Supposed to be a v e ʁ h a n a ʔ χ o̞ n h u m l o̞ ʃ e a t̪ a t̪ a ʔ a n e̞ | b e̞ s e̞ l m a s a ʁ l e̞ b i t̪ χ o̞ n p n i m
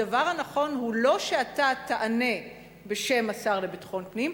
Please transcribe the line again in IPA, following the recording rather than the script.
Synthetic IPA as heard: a v a ʁ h a n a χ o̞ n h u l o̞ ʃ e a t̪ a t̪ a ʔ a n e̞ | b e̞ ʃ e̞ m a s a ʁ l e̞ b i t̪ χ o̞ n p n i m